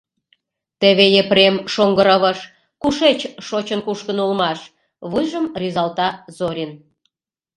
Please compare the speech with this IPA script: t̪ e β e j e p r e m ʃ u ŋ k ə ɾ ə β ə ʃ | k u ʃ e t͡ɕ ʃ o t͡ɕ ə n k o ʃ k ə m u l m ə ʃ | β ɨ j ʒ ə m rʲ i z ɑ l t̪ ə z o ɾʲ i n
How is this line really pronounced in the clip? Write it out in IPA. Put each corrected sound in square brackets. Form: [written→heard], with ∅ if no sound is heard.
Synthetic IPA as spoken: t̪ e β e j e p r e m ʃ [u→o] ŋ [k→ɡ] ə ɾ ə β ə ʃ | k u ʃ e t͡ɕ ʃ o t͡ɕ ə n k [o→u] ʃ k ə [m→n] u l m [ə→ɑ] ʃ | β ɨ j ʒ ə m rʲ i z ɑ l t̪ [ə→ɑ] z o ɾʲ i n